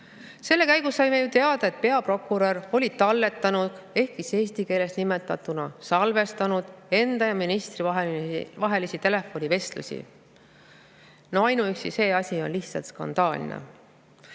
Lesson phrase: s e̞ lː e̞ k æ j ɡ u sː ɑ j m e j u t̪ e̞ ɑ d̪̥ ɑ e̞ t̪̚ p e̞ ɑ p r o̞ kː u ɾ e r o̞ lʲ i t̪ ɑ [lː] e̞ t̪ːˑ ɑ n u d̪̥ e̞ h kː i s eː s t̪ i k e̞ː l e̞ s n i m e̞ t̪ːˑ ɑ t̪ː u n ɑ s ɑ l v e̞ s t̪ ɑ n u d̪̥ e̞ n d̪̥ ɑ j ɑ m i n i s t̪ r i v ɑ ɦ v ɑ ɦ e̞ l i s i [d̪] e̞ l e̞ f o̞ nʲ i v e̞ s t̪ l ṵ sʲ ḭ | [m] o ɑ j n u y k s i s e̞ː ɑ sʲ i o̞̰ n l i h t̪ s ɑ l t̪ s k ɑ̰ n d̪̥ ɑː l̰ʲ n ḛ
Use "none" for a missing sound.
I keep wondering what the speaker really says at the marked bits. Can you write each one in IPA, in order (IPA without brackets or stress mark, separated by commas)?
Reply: lː, t̪, n